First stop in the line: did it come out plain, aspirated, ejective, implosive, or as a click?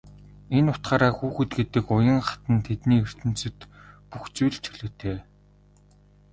plain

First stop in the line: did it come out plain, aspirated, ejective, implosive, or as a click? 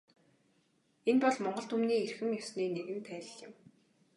plain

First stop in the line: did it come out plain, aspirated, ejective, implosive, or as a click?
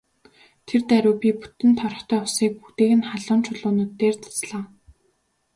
aspirated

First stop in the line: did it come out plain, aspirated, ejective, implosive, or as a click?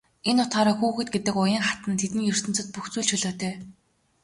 plain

